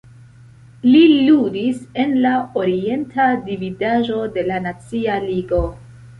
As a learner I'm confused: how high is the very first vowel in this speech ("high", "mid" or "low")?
high